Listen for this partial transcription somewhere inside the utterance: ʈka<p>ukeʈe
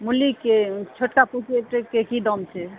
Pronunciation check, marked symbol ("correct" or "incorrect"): correct